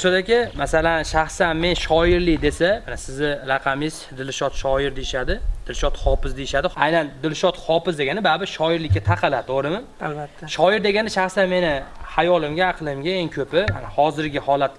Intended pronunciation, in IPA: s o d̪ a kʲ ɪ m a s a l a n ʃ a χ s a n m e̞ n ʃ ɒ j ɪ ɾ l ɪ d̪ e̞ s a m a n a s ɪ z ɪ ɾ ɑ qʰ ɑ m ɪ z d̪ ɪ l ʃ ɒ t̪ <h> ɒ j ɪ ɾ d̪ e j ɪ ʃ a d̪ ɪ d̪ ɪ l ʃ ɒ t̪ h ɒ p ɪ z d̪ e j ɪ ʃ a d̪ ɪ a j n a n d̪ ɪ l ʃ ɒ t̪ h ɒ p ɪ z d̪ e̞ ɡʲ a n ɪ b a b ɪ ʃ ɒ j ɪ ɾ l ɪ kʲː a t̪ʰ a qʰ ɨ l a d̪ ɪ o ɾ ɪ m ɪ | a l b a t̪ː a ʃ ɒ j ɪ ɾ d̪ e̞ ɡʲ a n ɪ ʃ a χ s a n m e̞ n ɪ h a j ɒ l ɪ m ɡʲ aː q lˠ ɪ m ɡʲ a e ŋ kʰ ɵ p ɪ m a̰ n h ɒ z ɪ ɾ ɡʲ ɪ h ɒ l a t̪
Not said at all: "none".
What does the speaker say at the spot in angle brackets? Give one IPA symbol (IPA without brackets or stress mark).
ʃ